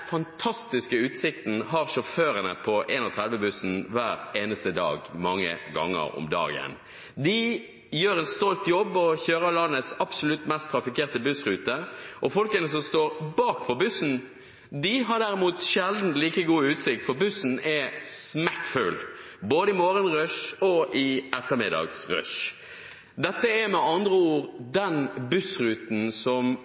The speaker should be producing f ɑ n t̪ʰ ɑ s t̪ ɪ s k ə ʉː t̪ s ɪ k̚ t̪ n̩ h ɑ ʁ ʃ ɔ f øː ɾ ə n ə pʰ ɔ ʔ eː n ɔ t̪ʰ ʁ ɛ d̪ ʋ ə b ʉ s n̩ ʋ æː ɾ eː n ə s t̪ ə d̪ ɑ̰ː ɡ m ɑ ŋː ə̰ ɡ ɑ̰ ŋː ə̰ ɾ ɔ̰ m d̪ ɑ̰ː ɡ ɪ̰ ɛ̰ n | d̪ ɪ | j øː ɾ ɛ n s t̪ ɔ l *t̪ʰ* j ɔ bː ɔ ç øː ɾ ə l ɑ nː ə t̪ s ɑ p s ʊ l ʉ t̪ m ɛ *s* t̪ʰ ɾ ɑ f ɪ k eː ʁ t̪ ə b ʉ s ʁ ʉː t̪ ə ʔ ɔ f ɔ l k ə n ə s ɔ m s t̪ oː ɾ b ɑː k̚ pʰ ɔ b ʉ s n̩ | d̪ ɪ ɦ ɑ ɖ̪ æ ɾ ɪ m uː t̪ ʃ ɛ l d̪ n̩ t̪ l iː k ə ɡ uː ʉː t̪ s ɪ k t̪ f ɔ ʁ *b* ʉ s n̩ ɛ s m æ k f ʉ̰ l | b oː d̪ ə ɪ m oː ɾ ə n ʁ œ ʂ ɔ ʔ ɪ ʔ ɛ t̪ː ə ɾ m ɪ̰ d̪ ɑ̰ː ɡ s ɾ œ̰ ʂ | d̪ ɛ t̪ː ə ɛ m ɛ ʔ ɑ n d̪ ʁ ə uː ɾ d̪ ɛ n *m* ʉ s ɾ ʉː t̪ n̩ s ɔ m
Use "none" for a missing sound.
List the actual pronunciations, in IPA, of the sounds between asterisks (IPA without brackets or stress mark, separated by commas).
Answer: t̪, s, b, b